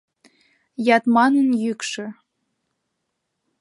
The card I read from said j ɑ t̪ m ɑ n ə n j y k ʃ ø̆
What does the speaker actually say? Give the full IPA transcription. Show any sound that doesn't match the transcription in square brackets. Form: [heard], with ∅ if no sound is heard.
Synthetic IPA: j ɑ t̪ m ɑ n ə n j y k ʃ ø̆

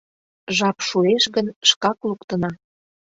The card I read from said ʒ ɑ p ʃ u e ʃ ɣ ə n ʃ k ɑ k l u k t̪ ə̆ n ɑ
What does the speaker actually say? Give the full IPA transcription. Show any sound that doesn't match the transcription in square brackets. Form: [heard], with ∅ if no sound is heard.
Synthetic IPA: ʒ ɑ p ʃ u e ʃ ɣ ə n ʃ k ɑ k l u k t̪ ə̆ n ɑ

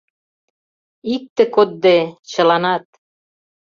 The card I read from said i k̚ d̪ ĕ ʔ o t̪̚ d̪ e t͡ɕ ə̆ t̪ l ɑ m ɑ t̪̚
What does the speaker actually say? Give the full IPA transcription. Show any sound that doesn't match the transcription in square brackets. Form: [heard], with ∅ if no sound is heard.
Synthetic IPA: i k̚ [t̪] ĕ [k] o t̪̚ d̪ e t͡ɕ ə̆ [∅] l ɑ [n] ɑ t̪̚

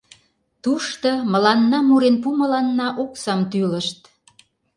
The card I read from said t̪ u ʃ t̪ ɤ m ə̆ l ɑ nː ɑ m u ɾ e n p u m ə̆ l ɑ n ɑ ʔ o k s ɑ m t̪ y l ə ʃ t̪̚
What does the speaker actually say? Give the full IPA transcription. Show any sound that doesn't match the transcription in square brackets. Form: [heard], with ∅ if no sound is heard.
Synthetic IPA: t̪ u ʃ t̪ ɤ m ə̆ l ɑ nː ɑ m u ɾ e n p u m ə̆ l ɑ [nː] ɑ ʔ o k s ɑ m t̪ y l ə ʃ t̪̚

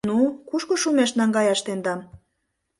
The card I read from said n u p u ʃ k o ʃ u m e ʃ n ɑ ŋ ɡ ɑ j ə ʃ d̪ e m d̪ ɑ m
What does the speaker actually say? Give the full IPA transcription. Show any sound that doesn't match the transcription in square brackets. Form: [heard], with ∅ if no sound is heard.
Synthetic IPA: n u [k] u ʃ k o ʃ u m e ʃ n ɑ ŋ ɡ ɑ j [ɑ] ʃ [t̪] e [n] d̪ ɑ m

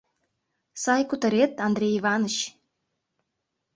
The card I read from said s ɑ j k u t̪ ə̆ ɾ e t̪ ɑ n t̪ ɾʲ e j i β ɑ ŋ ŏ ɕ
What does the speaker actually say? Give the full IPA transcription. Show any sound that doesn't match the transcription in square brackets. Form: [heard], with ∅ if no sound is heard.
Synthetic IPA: s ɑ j k u t̪ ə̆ ɾ e t̪ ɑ n [d̪] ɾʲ e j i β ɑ [n] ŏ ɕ

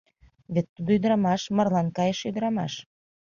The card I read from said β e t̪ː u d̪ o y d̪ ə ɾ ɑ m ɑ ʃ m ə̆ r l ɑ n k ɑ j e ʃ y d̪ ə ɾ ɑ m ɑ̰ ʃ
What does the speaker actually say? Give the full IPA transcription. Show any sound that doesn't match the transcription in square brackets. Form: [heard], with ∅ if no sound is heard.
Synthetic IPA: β e t̪ː u d̪ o y d̪ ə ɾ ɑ m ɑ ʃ m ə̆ r l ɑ n k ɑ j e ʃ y d̪ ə ɾ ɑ m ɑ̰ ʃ

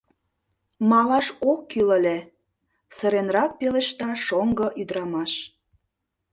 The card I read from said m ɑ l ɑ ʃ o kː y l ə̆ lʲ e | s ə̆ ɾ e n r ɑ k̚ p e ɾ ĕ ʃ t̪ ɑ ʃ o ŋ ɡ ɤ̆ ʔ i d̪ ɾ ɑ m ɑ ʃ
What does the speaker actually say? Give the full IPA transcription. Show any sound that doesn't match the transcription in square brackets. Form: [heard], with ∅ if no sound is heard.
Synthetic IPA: m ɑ l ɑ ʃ o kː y l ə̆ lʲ e | s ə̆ ɾ e n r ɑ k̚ p e [l] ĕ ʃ t̪ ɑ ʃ o ŋ ɡ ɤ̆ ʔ [y] d̪ ɾ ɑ m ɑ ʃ

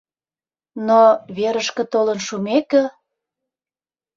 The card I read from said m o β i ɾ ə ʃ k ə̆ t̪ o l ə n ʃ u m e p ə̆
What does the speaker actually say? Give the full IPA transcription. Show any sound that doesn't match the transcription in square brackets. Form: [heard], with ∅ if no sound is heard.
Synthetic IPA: [n] o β [e] ɾ ə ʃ k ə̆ t̪ o l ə n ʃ u m e [k] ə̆

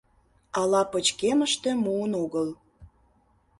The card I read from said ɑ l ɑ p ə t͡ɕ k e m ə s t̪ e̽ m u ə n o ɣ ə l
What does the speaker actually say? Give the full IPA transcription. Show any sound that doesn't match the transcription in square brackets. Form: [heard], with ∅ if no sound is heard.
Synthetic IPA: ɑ l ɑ p ə t͡ɕ k e m ə [ʃ] t̪ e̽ m u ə n o ɣ ə l

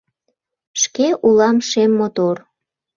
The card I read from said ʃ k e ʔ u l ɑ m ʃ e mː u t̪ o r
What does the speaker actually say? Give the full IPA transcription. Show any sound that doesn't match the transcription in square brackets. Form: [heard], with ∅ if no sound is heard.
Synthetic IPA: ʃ k e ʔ u l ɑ m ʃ e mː [o] t̪ o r

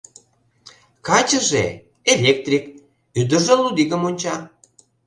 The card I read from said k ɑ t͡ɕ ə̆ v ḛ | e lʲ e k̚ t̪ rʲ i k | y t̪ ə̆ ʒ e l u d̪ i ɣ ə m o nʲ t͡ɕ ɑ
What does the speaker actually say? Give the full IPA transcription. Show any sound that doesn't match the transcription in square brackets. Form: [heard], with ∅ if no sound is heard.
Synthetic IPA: k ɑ t͡ɕ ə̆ [ʒ] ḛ | e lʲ e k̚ t̪ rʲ i k | y [d̪] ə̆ ʒ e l u d̪ i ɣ ə m o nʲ t͡ɕ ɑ

